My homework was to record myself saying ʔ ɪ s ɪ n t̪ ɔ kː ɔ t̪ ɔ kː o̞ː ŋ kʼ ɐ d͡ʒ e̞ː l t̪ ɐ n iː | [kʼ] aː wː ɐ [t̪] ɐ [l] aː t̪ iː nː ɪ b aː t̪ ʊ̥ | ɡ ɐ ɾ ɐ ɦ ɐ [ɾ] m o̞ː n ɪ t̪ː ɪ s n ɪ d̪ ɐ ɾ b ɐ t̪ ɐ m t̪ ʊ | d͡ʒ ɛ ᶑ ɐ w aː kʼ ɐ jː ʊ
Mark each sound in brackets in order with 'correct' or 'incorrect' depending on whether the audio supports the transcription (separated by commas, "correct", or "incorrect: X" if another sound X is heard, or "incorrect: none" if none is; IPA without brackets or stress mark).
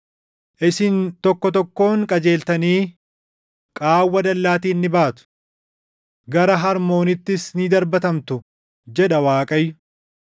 correct, incorrect: d̪, incorrect: lː, correct